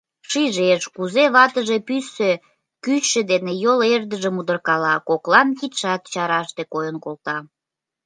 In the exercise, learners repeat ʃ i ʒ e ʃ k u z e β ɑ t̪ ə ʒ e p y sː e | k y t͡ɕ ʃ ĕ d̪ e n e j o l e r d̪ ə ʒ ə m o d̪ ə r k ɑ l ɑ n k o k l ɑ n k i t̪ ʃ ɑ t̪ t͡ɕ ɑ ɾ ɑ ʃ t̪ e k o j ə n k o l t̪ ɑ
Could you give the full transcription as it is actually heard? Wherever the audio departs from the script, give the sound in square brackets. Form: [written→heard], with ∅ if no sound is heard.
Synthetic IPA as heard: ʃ i ʒ e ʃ k u z e β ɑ t̪ ə ʒ e p y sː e | k y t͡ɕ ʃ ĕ d̪ e n e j o l e r d̪ ə ʒ ə m [o→u] d̪ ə r k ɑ l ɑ [n→∅] k o k l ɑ n k i t̪ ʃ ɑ t̪ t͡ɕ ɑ ɾ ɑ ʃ t̪ e k o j ə n k o l t̪ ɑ